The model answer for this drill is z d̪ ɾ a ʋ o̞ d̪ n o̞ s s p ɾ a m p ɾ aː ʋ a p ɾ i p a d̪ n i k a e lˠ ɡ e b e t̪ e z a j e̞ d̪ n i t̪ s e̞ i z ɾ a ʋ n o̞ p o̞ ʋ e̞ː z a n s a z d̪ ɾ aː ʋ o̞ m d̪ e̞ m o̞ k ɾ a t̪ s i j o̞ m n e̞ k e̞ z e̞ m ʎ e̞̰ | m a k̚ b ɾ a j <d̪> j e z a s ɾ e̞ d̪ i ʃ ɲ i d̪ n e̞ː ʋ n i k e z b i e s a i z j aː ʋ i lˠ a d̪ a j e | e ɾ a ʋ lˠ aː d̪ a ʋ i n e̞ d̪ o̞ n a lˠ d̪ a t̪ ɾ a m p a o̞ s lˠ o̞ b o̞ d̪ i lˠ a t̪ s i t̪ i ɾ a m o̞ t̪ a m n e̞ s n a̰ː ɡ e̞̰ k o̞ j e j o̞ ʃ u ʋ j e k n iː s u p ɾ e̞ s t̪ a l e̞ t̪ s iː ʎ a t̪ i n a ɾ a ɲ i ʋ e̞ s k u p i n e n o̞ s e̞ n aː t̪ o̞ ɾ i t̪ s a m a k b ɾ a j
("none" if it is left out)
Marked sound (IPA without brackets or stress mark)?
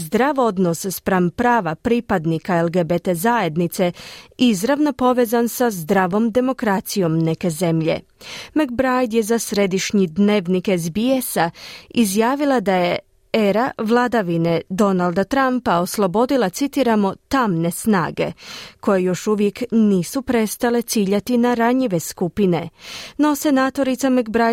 d̪